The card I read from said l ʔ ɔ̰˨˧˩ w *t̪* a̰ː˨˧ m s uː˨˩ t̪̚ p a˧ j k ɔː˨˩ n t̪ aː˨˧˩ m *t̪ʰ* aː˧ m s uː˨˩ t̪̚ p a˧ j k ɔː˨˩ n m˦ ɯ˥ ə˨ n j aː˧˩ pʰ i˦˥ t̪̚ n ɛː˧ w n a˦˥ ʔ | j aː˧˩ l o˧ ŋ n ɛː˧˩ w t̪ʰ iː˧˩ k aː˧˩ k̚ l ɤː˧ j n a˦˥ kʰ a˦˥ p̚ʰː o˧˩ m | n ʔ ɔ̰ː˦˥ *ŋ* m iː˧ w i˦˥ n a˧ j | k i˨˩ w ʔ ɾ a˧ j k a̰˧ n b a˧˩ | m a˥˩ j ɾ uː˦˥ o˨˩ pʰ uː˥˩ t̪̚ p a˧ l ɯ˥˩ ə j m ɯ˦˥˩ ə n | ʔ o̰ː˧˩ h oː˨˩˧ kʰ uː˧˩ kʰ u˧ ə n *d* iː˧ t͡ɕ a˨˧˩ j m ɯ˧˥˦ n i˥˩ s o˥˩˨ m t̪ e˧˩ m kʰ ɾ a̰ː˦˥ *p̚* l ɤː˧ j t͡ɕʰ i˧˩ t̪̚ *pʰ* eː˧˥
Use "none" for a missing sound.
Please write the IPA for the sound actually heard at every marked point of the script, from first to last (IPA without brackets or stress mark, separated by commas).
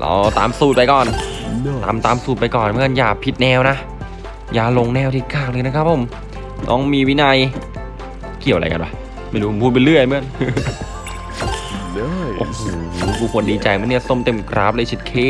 t̪, t̪, ŋ, d, p̚, kʰ